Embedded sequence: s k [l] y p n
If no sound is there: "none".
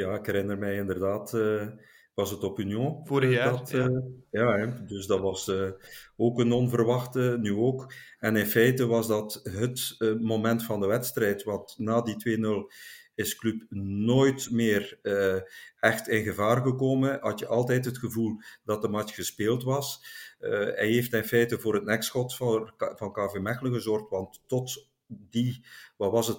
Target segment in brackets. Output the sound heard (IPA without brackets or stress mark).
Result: l